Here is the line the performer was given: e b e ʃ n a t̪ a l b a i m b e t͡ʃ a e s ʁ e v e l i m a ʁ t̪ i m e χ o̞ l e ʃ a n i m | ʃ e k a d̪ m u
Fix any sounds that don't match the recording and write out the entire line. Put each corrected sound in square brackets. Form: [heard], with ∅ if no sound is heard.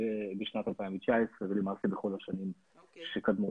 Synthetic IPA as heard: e b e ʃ n a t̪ a l [p] a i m [v] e t͡ʃ a e s ʁ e v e l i m a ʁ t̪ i [b] e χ o̞ l [a] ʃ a n i m | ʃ e k a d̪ m u